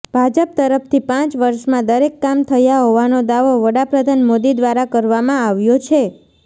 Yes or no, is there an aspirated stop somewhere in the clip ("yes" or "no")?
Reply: yes